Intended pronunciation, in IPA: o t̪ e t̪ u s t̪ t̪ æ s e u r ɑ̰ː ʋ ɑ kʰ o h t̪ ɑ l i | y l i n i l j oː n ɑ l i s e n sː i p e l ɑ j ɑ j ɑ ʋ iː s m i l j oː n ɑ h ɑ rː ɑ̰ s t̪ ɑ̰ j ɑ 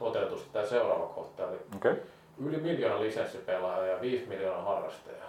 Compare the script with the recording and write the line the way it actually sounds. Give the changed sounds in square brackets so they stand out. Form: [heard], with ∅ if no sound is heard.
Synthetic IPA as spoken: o t̪ e t̪ u s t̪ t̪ æ s e u r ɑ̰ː ʋ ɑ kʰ o h t̪ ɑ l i | y l i [m] i l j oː n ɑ l i s e n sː i p e l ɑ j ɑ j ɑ ʋ iː s m i l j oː n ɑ h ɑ rː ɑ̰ s t̪ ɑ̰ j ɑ